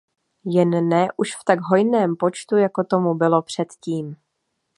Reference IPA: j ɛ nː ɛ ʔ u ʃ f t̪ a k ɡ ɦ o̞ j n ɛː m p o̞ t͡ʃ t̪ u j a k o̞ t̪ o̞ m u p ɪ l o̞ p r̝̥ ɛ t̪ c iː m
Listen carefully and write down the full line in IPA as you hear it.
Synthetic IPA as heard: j ɛ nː ɛ ʔ u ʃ f t̪ a ɡ ɦ o̞ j n ɛː m p o̞ t͡ʃ t̪ u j a k o̞ t̪ o̞ m u b ɪ l o̞ p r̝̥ ɛ t̪ c iː m